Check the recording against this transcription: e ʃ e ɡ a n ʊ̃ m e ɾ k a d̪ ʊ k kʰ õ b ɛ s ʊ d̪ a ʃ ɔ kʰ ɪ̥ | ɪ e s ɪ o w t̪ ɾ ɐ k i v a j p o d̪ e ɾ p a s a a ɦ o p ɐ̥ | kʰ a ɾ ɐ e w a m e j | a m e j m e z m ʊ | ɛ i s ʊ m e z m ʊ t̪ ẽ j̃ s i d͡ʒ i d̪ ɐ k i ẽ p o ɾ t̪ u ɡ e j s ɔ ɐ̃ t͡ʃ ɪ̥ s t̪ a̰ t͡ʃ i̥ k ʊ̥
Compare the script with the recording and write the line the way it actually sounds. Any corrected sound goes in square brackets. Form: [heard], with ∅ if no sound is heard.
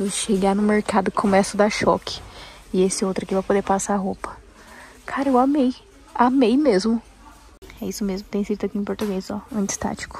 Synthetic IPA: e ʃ e ɡ a n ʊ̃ m e ɾ k a d̪ ʊ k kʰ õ [m] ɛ s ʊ d̪ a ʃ ɔ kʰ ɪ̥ | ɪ e s ɪ o w t̪ ɾ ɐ k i v a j p o d̪ e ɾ p a s a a ɦ o p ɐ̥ | kʰ a ɾ ɐ e w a m e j | a m e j m e z m ʊ | ɛ i s ʊ m e z m ʊ t̪ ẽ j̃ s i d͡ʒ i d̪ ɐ k i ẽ p o ɾ t̪ u ɡ e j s ɔ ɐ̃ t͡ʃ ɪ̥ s t̪ a̰ t͡ʃ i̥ k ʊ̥